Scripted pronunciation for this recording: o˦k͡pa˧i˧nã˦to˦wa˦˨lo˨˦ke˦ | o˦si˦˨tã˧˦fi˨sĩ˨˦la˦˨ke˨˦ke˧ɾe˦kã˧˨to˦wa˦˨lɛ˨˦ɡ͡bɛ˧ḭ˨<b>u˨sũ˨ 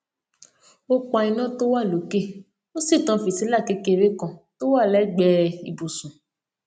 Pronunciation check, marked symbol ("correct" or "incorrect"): correct